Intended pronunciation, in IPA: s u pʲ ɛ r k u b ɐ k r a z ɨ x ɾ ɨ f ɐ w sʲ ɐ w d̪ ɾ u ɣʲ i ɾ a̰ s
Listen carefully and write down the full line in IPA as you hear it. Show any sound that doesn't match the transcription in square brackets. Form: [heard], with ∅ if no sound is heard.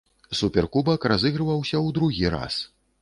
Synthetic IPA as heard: s u pʲ ɛ r k u b ɐ k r a z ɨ [ɣ] ɾ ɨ [v] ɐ w sʲ ɐ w d̪ ɾ u ɣʲ i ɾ a̰ s